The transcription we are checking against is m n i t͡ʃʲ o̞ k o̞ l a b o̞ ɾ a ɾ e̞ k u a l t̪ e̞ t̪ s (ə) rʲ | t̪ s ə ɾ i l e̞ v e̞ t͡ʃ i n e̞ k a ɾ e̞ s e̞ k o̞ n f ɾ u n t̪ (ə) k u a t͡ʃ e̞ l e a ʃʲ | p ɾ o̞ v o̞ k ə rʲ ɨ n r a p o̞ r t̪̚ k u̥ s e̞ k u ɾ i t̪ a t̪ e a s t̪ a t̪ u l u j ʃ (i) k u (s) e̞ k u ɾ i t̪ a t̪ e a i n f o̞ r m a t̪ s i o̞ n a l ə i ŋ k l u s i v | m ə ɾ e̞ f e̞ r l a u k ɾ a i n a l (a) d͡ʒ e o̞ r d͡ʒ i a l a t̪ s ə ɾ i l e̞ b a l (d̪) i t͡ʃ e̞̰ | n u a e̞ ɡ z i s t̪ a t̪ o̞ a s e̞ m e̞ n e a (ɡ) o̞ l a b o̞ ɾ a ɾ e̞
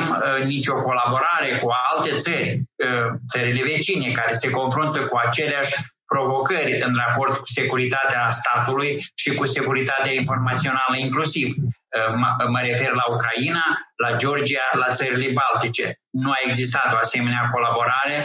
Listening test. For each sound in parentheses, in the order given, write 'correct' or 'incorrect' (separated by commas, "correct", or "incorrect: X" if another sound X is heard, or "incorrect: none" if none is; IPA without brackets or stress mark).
correct, correct, correct, correct, correct, incorrect: t̪, incorrect: k